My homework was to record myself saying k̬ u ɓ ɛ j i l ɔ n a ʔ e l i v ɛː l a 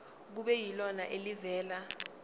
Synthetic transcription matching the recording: k̬ u ɓ ɛ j i l ɔ n a ʔ e l i v ɛː l a